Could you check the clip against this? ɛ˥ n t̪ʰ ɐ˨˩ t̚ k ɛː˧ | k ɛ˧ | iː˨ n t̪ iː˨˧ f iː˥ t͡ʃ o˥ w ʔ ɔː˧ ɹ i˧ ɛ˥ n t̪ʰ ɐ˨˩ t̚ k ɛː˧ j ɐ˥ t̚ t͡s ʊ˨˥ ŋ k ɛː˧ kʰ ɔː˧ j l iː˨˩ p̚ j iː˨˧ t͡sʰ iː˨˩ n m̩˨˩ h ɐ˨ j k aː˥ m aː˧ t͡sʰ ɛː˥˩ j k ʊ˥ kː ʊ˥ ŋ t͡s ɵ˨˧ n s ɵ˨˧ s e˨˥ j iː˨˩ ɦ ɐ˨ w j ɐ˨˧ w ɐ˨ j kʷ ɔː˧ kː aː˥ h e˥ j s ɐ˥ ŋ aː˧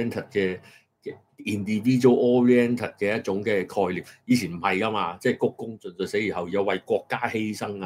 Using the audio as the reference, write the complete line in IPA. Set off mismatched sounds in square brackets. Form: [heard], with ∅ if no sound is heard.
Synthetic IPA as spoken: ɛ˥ n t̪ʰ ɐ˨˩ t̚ k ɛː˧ | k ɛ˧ | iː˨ n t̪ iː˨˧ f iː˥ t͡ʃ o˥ w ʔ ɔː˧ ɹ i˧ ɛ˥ n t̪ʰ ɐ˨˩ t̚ k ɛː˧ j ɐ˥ t̚ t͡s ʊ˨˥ ŋ k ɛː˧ kʰ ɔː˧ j l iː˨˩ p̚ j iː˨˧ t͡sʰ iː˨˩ n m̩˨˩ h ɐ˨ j k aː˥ m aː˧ [t͡s] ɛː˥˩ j k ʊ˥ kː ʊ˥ ŋ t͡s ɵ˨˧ n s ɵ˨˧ s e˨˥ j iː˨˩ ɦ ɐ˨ w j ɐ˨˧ w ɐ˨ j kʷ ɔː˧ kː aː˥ h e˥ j s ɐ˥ ŋ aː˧